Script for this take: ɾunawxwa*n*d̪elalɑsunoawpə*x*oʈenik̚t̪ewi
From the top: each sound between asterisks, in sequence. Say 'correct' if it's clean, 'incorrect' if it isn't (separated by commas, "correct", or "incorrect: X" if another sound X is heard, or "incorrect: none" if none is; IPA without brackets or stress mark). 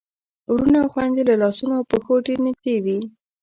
correct, correct